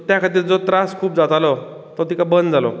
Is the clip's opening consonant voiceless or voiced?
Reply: voiceless